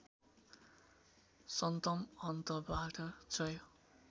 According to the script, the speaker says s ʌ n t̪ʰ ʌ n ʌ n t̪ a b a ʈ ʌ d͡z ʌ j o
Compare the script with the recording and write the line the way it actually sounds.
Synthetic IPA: s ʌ n t̪ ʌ m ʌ n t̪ ʌ b a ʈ ʌ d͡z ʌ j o